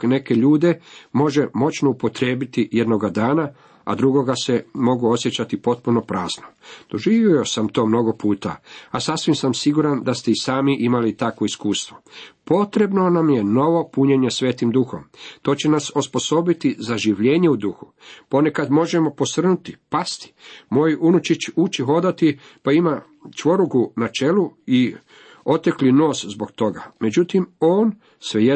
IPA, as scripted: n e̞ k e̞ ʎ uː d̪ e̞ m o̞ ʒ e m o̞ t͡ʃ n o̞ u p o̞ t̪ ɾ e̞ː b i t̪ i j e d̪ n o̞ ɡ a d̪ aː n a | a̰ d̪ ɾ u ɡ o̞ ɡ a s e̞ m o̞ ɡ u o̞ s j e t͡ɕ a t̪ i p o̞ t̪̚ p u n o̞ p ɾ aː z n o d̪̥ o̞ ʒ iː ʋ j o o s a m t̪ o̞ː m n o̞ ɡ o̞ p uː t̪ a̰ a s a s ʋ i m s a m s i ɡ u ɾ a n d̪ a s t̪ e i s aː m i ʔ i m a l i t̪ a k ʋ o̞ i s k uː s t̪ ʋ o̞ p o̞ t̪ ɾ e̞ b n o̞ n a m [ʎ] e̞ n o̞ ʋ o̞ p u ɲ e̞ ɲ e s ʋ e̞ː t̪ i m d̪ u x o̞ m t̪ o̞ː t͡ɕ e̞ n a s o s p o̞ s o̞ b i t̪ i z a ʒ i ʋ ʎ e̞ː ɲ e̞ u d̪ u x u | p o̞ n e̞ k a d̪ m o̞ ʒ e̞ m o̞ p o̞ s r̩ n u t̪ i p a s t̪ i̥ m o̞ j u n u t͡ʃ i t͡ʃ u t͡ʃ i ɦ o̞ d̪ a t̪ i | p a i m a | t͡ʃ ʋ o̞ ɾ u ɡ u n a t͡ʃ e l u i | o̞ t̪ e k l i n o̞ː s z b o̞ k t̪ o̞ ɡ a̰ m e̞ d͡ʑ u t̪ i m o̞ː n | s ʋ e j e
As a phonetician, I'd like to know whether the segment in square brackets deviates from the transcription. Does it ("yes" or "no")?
yes